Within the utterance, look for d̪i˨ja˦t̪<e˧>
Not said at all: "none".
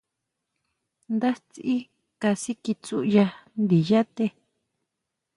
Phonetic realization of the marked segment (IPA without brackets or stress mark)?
e˧